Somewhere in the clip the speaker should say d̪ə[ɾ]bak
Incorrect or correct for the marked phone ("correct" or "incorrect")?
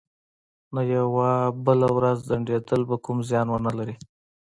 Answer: incorrect